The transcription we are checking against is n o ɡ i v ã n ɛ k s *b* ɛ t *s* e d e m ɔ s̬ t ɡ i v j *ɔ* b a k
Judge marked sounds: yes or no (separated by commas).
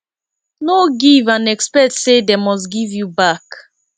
no, yes, no